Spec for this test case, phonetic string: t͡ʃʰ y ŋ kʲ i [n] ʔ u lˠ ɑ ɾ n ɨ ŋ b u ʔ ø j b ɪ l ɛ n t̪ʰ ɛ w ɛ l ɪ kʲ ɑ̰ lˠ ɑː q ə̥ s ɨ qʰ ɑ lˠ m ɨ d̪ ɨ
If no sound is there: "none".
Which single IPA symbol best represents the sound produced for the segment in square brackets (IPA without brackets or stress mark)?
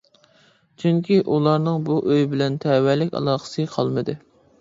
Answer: none